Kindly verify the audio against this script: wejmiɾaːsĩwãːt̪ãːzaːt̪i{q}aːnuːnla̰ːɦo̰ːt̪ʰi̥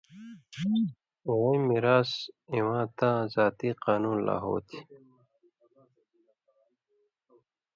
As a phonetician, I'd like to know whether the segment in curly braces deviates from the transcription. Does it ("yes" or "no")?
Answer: no